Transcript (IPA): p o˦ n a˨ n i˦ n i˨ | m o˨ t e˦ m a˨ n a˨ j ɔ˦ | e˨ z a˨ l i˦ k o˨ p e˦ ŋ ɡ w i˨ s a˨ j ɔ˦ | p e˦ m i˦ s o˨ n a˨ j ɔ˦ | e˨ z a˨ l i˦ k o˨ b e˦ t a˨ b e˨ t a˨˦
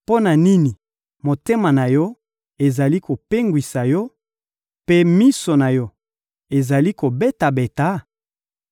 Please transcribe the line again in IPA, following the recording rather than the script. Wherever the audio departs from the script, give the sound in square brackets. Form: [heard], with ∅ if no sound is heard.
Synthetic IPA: p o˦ n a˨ n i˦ n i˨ | m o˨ t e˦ m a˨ n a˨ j ɔ˦ | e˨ z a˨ l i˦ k o˨ p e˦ ŋ ɡ w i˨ s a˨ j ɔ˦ | p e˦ m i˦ s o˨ n a˨ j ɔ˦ | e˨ z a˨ l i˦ k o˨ b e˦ t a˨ b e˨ t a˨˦